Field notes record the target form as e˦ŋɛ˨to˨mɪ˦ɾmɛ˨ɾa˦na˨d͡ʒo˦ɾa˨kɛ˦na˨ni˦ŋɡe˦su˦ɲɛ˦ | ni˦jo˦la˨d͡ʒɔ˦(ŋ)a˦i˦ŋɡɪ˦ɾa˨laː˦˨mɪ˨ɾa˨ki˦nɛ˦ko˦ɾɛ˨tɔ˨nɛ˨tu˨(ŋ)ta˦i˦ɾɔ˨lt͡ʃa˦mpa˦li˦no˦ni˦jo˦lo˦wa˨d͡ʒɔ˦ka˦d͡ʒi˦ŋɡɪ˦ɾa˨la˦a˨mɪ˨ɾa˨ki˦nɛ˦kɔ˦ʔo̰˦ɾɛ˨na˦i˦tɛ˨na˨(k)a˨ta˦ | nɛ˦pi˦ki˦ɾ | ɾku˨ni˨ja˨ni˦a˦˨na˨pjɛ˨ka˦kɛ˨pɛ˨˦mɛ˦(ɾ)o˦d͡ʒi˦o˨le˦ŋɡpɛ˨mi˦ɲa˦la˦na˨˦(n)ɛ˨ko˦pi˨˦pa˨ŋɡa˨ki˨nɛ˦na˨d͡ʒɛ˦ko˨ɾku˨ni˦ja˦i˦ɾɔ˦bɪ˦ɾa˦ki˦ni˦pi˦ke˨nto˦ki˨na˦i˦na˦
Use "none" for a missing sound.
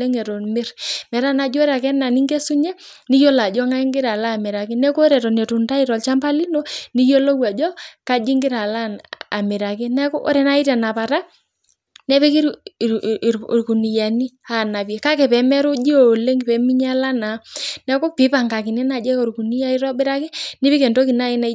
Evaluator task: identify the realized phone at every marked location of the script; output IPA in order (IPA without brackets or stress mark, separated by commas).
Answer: ŋ, n, p, ɾ, n